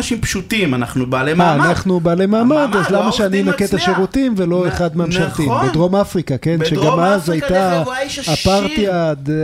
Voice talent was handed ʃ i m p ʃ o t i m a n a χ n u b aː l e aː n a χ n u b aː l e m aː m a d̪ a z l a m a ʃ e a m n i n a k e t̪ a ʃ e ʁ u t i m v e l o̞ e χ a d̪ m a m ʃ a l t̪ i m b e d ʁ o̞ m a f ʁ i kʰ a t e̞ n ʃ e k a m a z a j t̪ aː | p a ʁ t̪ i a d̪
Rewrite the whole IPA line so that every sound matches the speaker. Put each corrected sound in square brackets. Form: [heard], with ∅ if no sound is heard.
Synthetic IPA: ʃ i m p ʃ [u] t i m a n a χ n u b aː l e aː n a χ n u b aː l e m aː m a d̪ a z l a m a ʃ e a [∅] n i n a k e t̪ a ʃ e ʁ u t i m v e l o̞ e χ a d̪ m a m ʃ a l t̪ i m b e d ʁ o̞ m a f ʁ i [k] a [k] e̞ n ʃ e [ɡ] a m a z a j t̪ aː | p a ʁ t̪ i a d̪